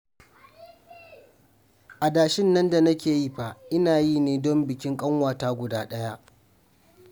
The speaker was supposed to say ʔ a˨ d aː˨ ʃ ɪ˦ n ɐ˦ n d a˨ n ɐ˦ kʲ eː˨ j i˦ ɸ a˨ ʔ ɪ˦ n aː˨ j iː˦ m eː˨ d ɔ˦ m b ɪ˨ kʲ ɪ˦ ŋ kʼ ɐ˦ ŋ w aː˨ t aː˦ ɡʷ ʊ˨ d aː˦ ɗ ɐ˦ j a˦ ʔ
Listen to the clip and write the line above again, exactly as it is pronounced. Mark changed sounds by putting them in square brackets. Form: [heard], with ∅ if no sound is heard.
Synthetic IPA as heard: ʔ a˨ d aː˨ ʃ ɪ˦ [nː] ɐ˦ n d a˨ n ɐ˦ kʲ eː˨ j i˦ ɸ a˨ ʔ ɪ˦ n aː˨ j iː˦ [n] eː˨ d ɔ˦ m b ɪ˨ kʲ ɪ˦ ŋ kʼ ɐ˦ ŋ w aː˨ t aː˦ ɡʷ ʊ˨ d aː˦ ɗ ɐ˦ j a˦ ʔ